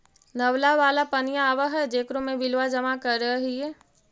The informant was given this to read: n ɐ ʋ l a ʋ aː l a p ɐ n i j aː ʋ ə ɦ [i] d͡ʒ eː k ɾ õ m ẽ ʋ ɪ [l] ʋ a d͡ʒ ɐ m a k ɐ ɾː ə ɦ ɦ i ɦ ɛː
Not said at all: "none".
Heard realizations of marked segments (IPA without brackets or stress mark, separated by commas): ɛ, l